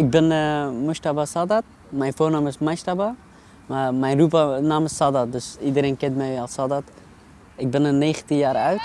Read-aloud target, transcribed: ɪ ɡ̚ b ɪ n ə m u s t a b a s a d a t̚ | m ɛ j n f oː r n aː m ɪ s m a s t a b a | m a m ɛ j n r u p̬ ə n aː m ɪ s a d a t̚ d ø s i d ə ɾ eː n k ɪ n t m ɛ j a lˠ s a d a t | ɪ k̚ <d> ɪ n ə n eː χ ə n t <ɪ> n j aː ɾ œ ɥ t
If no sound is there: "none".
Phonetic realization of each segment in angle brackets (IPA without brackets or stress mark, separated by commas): b, i